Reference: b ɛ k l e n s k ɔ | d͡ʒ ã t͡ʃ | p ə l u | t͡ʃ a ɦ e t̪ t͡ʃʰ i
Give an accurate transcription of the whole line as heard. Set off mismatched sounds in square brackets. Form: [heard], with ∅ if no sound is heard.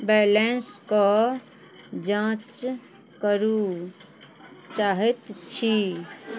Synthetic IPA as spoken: b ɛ [∅] l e n s k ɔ | d͡ʒ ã t͡ʃ | [k] ə [ɾ] u | t͡ʃ a ɦ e t̪ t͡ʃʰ i

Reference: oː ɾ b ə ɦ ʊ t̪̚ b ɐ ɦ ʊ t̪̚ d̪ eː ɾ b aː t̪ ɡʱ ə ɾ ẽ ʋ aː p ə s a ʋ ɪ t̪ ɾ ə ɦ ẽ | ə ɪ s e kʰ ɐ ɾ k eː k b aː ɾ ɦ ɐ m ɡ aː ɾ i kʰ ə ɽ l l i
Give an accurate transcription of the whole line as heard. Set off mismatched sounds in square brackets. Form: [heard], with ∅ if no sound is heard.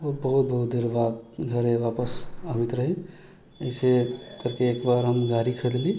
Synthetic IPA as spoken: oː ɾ b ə ɦ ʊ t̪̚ b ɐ ɦ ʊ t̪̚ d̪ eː ɾ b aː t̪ ɡʱ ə ɾ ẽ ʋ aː p ə s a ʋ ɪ t̪ ɾ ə ɦ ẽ | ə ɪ s e [k] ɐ ɾ k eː k b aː ɾ ɦ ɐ m ɡ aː ɾ i kʰ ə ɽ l l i

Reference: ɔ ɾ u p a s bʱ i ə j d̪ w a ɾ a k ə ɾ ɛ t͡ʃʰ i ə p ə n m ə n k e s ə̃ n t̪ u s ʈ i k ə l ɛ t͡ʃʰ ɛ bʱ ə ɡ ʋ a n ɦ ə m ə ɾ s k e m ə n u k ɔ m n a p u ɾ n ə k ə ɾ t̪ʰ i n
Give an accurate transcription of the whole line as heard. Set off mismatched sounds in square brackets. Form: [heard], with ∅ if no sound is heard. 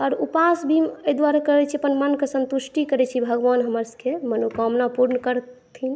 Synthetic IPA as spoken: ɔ ɾ u p a s bʱ i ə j d̪ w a ɾ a k ə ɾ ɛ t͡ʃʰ i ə p ə n m ə n k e s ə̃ n t̪ u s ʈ i k ə [ɾ] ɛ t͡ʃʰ [i] bʱ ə ɡ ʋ a n ɦ ə m ə ɾ s k e m ə n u k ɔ m n a p u ɾ n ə k ə ɾ t̪ʰ i n

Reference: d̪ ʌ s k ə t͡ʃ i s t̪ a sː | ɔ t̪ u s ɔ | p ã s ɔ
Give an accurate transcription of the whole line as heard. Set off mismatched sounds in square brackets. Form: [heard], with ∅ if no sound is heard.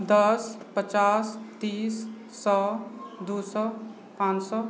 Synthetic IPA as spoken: d̪ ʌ s [p] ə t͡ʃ [a] s t̪ [i] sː | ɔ [d̪] u s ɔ | p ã s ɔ

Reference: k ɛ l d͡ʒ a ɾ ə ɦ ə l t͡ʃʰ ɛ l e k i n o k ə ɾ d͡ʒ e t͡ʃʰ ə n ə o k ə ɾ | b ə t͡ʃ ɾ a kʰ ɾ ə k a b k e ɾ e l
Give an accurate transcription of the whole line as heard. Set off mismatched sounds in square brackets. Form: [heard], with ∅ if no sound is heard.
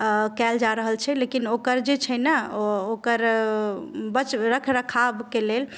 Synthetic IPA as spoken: k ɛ l d͡ʒ a ɾ ə ɦ ə l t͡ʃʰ ɛ l e k i n o k ə ɾ d͡ʒ e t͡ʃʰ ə n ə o k ə ɾ | b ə t͡ʃ ɾ [ə] kʰ ɾ ə [kʰ] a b k e [l] e l

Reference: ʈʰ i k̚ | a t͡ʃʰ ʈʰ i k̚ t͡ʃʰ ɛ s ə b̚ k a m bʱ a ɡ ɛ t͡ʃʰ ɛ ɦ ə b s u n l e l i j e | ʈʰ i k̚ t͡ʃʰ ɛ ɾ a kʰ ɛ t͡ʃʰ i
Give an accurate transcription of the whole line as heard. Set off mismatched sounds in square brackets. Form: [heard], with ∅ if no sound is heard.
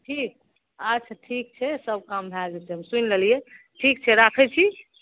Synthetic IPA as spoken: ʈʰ i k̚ | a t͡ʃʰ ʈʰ i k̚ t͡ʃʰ ɛ s ə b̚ k a m bʱ a ɡ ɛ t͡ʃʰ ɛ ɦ ə [m] s u n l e l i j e | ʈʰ i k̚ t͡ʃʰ ɛ ɾ a kʰ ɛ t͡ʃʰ i

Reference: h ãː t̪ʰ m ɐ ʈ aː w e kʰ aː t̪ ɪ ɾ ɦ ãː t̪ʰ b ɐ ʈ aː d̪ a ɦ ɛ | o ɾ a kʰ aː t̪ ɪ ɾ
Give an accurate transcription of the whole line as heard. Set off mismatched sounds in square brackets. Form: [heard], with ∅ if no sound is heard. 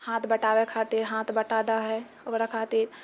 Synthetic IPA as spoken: h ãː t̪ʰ [b] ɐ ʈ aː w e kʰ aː t̪ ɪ ɾ ɦ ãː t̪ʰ b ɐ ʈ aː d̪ a ɦ ɛ | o ɾ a kʰ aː t̪ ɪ ɾ

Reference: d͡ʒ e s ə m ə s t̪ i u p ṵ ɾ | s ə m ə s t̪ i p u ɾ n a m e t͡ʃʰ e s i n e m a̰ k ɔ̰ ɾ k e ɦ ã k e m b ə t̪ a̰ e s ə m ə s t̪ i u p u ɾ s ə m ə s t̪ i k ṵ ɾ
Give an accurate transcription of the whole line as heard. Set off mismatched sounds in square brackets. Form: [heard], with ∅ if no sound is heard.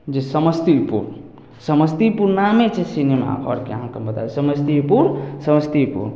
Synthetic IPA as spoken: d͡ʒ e s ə m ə s t̪ i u p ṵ ɾ | s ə m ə s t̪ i p u ɾ n a m e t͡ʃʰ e s i n e m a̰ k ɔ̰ ɾ k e ɦ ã k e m b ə t̪ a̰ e s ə m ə s t̪ i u p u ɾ s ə m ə s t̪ i [p] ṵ ɾ

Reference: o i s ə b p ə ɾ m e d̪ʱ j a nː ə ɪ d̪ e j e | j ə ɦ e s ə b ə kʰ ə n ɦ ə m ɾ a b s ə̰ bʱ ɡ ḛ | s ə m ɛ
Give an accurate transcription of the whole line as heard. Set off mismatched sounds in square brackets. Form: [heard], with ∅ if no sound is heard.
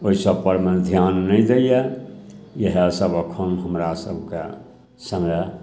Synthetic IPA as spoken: o i s ə b p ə ɾ m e d̪ʱ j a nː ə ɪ d̪ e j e | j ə ɦ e s ə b ə kʰ ə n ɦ ə m ɾ a [∅] s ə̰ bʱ [k] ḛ | s ə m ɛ

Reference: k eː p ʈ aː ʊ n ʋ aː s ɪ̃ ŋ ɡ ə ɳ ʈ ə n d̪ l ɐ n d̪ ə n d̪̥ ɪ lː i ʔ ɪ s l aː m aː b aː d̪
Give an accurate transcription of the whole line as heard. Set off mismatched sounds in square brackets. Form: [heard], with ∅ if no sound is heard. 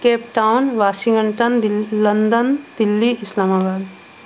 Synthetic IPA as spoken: k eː p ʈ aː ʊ n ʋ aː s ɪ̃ ŋ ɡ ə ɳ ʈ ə n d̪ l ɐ n d̪ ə n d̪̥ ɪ lː i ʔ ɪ s l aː m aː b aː d̪

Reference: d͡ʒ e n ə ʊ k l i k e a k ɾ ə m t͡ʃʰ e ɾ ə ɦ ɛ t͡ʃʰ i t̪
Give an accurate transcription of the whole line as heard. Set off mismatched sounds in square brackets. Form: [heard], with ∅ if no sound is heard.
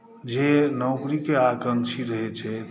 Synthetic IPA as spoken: d͡ʒ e n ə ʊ k [ɾ] i k e a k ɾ ə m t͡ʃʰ [i] ɾ ə ɦ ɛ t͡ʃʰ [ɛ] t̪

